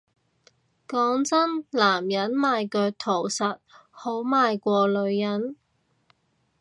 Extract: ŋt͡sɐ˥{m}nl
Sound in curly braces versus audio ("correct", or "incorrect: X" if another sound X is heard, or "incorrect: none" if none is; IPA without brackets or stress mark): incorrect: none